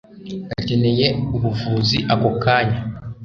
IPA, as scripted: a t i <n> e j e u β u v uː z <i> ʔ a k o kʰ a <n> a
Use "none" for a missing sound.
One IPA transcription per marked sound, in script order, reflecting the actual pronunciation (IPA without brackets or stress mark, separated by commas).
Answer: n, i, ɲ